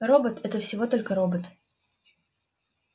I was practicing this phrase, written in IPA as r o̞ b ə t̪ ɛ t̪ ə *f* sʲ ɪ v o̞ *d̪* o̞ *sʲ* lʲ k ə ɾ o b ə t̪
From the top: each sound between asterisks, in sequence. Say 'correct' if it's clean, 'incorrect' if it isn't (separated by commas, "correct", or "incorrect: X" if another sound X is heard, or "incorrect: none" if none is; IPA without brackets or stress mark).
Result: correct, incorrect: t̪, incorrect: none